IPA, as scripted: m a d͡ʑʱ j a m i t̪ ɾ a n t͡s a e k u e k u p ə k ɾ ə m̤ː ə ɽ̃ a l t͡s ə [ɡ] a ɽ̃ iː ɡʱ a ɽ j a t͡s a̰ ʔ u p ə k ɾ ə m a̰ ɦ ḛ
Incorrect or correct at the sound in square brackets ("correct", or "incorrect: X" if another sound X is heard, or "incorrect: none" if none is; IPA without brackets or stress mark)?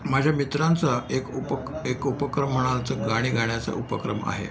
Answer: correct